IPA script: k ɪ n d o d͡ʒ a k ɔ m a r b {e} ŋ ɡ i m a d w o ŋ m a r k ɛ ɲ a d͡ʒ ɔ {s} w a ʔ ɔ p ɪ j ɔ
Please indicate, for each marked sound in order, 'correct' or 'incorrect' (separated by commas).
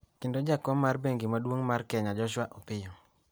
correct, incorrect